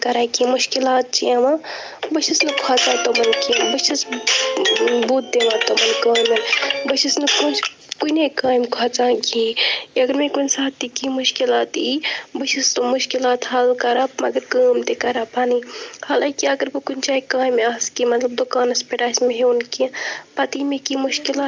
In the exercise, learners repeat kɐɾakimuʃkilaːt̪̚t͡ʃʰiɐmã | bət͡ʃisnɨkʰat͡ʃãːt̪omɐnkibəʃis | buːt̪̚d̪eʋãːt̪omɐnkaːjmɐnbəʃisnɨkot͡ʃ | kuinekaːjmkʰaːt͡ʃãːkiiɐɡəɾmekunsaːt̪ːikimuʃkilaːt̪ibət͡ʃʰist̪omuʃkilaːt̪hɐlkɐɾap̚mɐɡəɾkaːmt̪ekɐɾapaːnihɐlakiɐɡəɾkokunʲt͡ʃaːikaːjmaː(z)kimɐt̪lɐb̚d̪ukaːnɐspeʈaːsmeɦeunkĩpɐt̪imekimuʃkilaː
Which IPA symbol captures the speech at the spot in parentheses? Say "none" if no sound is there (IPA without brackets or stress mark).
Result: s